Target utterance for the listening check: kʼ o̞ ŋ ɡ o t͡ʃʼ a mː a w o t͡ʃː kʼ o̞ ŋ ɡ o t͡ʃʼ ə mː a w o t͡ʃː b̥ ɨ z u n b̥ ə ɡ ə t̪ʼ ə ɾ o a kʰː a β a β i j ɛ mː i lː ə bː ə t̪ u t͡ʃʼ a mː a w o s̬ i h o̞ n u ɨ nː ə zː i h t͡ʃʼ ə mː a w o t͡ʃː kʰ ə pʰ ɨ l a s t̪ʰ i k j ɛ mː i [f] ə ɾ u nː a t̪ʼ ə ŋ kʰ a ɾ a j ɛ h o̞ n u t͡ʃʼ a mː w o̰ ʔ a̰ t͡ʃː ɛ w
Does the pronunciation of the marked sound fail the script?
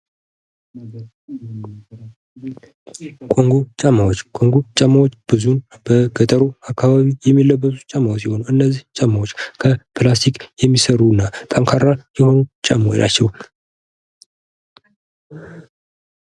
yes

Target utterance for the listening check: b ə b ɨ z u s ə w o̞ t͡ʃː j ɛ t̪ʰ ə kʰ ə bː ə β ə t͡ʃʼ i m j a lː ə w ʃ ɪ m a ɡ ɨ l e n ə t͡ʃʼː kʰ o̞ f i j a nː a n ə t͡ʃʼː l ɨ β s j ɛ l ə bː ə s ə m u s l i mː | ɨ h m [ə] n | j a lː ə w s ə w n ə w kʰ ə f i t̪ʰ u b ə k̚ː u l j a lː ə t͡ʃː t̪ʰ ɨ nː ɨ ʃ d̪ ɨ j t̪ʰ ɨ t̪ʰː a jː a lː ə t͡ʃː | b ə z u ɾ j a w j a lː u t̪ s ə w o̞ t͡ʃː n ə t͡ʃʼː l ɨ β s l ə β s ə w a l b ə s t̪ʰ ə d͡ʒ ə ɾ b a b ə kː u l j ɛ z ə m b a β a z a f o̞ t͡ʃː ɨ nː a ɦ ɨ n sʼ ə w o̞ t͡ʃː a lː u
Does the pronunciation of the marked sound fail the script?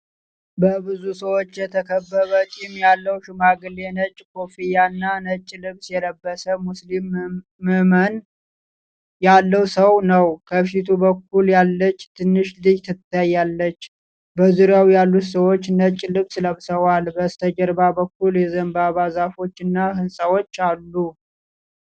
no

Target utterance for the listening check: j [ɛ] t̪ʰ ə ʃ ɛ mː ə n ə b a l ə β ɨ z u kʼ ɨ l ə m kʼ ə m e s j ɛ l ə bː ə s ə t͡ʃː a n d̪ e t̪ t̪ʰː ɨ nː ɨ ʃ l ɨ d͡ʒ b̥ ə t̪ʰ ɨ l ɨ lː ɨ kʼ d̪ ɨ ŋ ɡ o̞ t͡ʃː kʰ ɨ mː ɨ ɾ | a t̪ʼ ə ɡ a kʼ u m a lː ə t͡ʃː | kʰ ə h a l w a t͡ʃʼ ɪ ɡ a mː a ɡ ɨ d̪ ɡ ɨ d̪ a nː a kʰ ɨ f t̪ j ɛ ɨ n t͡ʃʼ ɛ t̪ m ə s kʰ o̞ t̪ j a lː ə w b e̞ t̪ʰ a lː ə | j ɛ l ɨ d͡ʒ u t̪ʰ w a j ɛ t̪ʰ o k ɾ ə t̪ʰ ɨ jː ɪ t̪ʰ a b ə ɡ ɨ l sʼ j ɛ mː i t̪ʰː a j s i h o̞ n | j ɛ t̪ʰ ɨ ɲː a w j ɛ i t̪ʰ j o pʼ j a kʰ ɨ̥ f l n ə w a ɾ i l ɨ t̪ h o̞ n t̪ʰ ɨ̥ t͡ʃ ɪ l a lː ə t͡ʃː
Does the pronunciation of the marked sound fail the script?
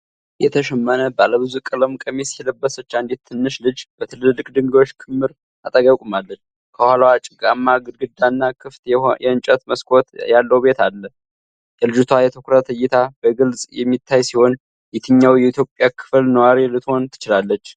no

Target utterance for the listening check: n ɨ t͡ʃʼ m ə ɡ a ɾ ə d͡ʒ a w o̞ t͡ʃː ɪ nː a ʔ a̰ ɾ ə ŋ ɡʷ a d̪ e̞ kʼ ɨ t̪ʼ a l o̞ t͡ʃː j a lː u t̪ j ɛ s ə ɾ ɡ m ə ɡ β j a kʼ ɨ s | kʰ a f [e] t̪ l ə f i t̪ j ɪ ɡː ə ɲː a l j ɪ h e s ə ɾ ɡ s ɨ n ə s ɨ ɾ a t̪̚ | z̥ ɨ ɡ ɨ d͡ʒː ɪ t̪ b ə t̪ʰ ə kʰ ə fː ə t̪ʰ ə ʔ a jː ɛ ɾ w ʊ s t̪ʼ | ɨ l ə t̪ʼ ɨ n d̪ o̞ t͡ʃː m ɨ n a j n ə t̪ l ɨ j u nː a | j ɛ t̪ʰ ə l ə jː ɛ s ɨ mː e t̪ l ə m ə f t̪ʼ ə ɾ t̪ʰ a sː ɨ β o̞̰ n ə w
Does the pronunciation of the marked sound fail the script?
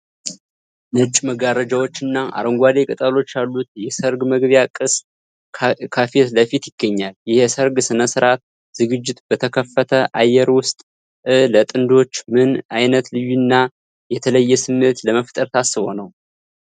no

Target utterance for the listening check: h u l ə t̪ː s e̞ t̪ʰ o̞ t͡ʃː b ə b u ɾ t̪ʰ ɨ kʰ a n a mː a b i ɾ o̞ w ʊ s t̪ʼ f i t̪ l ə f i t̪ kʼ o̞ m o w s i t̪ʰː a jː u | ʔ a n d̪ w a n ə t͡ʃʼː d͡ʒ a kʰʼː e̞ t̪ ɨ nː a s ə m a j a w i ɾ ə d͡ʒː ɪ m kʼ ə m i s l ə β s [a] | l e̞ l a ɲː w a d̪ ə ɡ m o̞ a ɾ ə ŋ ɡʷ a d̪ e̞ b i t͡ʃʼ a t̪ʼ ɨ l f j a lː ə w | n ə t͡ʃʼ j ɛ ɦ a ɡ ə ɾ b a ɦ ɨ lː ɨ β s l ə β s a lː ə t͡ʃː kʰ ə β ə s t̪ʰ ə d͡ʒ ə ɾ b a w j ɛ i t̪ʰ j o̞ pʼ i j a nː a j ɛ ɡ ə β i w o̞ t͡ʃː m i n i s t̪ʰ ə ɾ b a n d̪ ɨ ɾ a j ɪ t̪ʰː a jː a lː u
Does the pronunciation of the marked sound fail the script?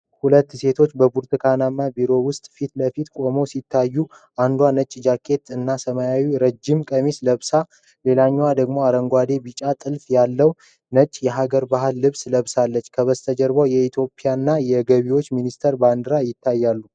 no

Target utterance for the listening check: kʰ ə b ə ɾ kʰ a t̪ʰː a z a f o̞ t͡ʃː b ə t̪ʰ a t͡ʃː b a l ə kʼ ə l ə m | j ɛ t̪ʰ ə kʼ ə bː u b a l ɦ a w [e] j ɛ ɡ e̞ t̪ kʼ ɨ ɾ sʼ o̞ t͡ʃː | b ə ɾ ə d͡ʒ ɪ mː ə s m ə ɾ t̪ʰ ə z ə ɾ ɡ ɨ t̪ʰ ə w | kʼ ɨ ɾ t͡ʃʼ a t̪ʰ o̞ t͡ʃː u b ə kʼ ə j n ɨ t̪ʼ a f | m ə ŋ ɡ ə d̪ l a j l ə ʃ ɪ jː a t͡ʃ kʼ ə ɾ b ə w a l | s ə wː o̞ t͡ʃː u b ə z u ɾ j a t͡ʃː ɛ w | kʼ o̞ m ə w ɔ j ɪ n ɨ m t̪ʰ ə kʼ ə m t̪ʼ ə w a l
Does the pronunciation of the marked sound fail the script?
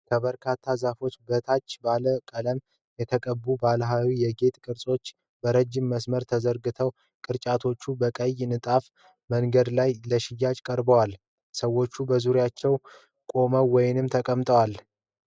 yes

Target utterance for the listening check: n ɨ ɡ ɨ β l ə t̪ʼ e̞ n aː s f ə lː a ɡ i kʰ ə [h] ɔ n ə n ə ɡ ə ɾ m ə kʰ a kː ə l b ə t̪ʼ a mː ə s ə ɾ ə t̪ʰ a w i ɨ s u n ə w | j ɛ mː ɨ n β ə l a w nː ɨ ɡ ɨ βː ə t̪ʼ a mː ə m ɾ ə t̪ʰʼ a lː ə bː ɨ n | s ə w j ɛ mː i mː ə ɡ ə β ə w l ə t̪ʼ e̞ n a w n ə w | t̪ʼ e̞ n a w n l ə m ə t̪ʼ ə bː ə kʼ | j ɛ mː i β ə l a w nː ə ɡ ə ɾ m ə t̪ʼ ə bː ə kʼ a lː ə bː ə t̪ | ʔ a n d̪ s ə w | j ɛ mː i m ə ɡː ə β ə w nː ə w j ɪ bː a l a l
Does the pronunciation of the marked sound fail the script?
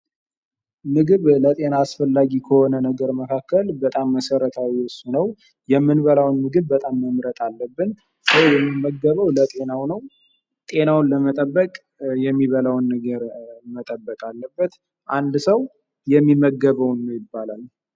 no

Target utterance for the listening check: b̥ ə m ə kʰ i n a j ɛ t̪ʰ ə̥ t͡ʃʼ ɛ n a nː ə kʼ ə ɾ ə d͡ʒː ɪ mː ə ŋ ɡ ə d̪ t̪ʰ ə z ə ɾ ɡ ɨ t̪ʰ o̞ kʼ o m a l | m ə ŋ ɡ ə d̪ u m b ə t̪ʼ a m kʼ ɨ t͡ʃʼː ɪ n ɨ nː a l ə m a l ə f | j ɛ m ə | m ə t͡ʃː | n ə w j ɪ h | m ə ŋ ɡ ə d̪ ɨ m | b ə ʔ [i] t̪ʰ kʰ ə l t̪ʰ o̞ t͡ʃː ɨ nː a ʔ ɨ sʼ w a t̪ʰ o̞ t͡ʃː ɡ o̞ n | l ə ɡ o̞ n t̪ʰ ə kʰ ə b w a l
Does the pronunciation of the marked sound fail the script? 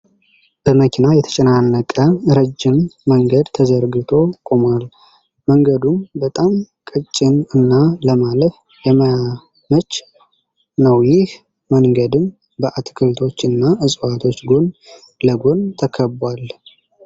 yes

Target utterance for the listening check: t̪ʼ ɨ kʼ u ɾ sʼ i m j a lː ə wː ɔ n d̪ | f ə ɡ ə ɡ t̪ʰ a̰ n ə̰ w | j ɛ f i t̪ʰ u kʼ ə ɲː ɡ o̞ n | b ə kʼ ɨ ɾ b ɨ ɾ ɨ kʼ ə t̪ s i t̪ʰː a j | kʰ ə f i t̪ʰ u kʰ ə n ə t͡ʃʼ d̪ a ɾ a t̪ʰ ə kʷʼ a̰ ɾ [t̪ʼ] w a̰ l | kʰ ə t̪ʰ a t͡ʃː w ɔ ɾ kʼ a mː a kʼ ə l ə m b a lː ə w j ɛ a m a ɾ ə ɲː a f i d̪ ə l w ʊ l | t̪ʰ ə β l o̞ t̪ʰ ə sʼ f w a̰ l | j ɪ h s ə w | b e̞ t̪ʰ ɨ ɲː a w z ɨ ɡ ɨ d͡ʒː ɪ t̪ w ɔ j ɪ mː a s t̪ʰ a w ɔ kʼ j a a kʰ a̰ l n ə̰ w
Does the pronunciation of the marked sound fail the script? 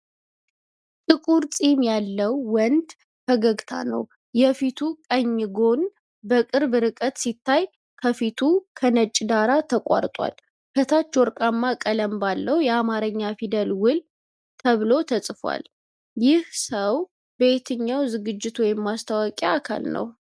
no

